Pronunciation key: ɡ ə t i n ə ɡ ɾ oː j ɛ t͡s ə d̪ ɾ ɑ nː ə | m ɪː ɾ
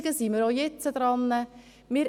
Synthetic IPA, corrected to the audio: ɡ ə s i m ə ɾ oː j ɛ t͡s ə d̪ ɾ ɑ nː ə | m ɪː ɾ